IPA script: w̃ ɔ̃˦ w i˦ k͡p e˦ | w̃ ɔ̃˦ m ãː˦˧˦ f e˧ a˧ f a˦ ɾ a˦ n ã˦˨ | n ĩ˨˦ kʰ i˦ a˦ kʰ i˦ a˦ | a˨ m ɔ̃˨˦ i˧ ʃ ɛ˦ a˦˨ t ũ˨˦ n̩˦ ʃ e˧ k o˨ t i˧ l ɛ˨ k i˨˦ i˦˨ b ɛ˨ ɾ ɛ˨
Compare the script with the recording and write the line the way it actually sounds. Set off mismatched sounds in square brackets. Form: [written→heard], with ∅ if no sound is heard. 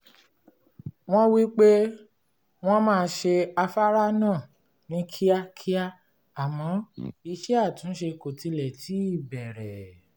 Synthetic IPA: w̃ ɔ̃˦ w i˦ k͡p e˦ | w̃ ɔ̃˦ m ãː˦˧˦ [f→ʃ] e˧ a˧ f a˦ ɾ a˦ n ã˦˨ | n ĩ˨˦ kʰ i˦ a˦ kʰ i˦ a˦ | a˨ m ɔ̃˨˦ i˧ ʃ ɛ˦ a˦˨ t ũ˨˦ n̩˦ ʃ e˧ k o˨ t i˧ l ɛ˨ [k→t] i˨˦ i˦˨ b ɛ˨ ɾ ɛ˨